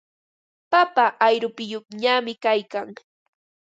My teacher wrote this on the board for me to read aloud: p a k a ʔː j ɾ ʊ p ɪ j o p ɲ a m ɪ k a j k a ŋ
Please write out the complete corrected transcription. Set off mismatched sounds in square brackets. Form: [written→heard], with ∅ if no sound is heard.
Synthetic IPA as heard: p a [k→p] a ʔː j ɾ ʊ p ɪ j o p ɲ a m ɪ k a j k a ŋ